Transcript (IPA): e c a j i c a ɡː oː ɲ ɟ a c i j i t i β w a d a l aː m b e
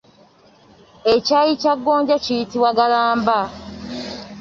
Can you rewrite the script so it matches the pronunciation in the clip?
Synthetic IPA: e c a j i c a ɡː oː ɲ ɟ a c i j i t i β w a ɡ a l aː m b a